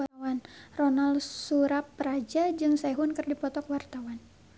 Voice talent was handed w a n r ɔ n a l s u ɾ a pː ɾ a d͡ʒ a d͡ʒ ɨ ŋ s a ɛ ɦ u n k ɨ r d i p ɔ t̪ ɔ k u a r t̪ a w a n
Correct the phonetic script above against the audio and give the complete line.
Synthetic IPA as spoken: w a n r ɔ n a l s u ɾ a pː ɾ a d͡ʒ a d͡ʒ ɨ ŋ s a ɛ ɦ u n k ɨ r d i p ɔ t̪ ɔ k w a r t̪ a w a n

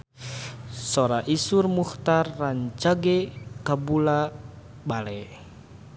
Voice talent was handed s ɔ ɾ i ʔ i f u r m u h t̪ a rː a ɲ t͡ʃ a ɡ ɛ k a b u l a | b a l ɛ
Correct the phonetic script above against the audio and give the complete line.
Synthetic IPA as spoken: s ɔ ɾ a ʔ i s u r m u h t̪ a rː a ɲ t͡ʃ a ɡ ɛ k a b u l a | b a l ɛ

